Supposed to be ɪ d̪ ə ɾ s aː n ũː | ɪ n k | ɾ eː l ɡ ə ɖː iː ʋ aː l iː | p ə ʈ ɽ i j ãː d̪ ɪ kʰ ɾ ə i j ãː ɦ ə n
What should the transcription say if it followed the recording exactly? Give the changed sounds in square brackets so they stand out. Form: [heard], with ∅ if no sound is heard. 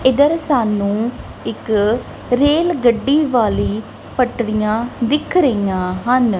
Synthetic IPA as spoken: ɪ d̪ ə ɾ s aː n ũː | ɪ [∅] k | ɾ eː l ɡ ə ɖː iː ʋ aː l iː | p ə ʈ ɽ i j ãː d̪ ɪ kʰ ɾ ə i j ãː ɦ ə n